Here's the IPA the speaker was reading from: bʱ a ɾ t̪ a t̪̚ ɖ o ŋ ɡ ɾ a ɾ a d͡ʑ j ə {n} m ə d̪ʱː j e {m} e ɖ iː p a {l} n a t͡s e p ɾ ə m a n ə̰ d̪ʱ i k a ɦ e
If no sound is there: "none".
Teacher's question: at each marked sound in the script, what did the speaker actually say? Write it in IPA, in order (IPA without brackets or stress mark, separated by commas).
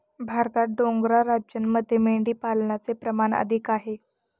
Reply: n, m, l